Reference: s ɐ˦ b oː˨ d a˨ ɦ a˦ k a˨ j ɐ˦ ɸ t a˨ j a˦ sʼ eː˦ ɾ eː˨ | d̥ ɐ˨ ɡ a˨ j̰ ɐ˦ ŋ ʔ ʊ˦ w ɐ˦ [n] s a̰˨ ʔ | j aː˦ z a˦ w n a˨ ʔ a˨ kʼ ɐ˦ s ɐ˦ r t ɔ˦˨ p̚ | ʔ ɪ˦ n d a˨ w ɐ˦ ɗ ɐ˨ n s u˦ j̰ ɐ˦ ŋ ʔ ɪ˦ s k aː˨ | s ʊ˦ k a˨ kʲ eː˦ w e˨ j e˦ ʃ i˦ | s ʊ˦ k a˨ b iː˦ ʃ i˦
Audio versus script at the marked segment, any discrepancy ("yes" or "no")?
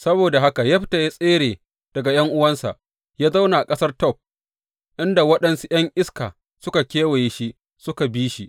no